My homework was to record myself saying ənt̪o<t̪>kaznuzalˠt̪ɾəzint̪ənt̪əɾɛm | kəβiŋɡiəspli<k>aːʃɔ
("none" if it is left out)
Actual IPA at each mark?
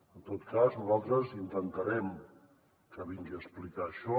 t̪, k

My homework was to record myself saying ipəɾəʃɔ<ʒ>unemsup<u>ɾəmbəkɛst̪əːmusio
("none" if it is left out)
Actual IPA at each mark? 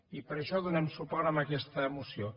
ð, ɔ

